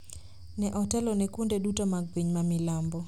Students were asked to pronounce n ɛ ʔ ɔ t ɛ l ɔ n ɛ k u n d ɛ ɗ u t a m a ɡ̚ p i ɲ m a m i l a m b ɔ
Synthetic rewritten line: n ɛ ʔ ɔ t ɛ l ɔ n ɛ k u n d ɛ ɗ u t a m a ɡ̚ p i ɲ m a m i l a m b ɔ